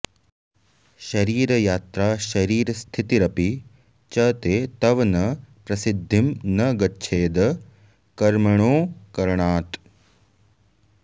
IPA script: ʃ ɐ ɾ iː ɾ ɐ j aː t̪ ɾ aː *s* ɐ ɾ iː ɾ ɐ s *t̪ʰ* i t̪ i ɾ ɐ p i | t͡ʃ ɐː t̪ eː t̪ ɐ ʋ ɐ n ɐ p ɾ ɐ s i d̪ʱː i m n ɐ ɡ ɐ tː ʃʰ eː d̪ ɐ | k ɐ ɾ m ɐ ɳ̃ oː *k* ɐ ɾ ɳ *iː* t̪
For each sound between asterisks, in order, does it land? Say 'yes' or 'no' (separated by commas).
no, yes, yes, no